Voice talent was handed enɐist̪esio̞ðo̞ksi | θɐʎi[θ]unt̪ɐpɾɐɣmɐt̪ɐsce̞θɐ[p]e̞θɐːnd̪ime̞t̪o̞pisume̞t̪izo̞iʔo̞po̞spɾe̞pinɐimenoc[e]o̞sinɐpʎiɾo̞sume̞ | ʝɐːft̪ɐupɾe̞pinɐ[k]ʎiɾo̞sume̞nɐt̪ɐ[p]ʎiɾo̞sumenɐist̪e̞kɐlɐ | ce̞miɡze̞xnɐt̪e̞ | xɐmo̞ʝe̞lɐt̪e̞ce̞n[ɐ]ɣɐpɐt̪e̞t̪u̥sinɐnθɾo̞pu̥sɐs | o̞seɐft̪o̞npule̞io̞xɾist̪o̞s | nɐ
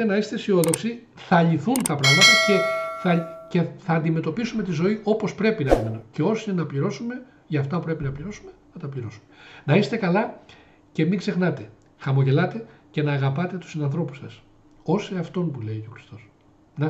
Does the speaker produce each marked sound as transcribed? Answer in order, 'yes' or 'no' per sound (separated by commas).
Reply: yes, no, yes, no, yes, no